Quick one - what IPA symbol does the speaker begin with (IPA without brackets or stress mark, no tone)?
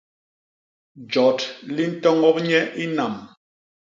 d͡ʒ